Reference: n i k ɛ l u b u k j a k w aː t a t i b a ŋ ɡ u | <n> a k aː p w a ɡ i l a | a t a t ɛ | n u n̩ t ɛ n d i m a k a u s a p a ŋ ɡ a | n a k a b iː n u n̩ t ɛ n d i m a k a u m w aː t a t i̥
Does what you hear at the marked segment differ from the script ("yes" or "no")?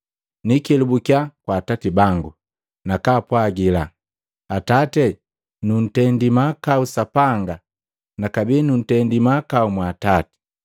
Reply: no